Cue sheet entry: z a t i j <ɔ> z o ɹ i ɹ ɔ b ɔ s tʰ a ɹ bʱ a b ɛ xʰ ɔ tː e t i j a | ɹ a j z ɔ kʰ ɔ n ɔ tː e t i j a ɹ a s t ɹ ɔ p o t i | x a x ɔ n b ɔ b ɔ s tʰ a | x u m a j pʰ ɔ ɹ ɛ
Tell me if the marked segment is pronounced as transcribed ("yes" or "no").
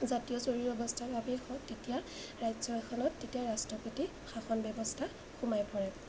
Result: yes